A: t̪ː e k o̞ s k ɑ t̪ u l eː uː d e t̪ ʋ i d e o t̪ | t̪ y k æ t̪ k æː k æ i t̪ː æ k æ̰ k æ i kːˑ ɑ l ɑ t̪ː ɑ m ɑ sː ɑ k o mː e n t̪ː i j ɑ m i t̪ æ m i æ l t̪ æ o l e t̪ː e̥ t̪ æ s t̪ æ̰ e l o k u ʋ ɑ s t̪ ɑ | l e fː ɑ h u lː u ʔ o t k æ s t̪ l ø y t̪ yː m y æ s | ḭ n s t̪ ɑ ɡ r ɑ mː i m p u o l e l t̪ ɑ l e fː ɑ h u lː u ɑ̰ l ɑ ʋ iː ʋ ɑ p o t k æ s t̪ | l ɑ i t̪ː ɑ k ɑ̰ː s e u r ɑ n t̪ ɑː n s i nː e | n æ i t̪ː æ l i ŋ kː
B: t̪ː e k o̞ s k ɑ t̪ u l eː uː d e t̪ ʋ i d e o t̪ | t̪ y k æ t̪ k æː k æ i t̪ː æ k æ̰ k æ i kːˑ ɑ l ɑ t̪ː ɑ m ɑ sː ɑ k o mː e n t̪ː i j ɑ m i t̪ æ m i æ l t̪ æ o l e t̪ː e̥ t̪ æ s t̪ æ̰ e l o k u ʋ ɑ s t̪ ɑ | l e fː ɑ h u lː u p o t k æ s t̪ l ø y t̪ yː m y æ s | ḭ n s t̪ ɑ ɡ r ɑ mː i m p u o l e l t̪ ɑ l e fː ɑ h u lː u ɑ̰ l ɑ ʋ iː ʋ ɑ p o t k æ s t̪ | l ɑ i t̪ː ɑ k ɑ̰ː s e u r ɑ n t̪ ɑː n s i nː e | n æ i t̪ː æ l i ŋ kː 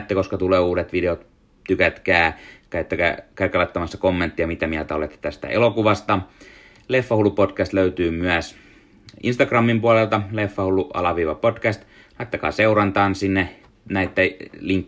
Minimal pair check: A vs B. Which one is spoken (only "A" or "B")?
B